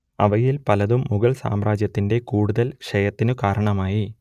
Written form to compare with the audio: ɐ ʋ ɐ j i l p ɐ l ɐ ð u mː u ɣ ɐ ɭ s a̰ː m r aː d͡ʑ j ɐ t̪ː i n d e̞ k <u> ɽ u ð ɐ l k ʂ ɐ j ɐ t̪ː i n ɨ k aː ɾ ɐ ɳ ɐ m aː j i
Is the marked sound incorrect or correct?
incorrect